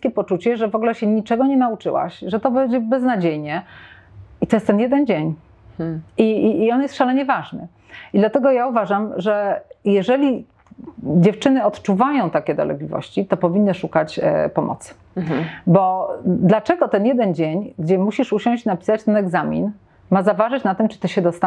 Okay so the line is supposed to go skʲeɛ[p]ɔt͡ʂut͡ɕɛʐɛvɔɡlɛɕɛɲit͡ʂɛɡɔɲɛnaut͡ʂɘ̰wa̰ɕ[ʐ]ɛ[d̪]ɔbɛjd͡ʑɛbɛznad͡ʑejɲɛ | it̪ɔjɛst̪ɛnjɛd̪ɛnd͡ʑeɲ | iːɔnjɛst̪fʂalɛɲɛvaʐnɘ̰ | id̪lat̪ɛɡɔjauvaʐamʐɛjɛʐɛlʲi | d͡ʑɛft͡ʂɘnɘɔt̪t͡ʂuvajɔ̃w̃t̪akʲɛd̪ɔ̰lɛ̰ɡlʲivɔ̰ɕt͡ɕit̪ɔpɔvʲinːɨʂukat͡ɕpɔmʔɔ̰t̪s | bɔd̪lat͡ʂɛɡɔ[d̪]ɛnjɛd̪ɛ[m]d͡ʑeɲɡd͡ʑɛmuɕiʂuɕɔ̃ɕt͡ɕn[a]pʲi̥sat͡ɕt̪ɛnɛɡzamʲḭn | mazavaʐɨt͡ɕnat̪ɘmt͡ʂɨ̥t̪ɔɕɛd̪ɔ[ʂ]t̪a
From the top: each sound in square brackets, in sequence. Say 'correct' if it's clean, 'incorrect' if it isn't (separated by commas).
correct, correct, incorrect, incorrect, incorrect, correct, incorrect